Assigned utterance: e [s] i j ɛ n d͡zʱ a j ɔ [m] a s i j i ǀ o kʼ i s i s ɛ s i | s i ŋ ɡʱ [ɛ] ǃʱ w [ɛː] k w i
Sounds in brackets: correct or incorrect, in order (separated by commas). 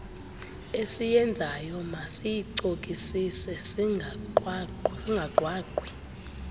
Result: correct, correct, incorrect, incorrect